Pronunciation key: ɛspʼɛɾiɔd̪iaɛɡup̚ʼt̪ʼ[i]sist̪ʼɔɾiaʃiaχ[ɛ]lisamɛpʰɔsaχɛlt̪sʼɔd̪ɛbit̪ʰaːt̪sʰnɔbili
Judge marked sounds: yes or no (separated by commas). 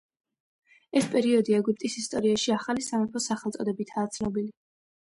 yes, no